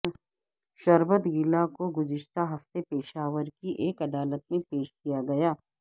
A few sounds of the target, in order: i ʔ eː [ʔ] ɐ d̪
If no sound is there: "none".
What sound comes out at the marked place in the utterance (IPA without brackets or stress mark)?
k